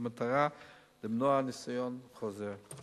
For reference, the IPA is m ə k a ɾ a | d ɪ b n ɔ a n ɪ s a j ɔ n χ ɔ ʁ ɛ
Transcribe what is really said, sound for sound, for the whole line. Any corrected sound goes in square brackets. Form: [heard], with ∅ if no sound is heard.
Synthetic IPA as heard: m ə [t] a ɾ a | d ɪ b n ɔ a n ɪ s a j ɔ n χ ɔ [z] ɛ